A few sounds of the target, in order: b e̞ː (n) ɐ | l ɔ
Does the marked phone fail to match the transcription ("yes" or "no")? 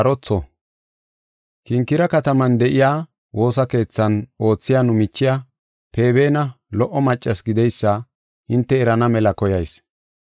no